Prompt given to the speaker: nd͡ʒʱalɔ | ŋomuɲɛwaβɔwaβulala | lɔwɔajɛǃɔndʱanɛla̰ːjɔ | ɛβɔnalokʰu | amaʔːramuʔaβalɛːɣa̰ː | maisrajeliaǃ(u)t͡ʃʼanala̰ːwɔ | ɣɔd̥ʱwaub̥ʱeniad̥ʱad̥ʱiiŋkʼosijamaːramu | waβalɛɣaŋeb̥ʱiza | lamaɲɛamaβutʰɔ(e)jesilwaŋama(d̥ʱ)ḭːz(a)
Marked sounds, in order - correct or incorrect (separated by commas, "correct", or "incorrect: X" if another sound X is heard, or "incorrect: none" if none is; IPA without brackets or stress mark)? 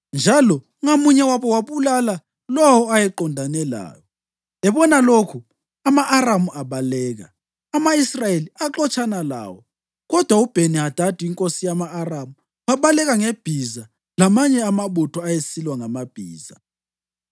incorrect: ɔ, incorrect: a, incorrect: b̥ʱ, correct